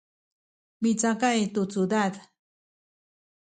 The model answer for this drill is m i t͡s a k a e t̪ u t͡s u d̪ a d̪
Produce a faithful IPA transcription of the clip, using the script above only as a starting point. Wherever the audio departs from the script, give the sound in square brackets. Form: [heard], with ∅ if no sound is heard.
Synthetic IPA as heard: m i t͡s a k a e t̪ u t͡s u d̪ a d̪